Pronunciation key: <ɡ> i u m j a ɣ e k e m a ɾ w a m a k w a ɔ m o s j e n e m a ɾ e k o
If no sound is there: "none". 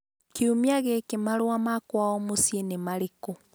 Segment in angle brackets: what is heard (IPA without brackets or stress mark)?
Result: k